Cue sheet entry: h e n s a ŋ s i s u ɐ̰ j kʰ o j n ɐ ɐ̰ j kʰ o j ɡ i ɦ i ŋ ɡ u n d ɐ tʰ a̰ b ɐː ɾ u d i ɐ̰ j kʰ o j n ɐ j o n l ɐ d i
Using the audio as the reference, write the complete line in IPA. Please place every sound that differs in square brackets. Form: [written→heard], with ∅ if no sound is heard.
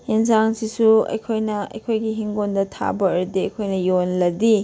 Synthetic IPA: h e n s a ŋ s i s u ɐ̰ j kʰ o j n ɐ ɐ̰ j kʰ o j ɡ i ɦ i ŋ ɡ [u→o] n d ɐ tʰ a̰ b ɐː ɾ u d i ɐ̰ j kʰ o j n ɐ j o n l ɐ d i